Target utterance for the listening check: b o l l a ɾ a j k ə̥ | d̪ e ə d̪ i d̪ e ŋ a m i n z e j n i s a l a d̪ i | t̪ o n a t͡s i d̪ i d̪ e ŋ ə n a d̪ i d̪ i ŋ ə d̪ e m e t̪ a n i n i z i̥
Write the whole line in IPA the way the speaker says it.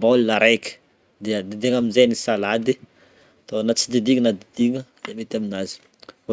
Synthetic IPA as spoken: b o l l a ɾ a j k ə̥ | d̪ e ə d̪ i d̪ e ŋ a m i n z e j n i s a l a d̪ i | t̪ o n a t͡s i d̪ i d̪ i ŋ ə n a d̪ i d̪ i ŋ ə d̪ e m e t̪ a m i n a z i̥